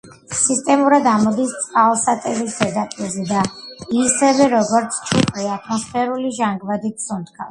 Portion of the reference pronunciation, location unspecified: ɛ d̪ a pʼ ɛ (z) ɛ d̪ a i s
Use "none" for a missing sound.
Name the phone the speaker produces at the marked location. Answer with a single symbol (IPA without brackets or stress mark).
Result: z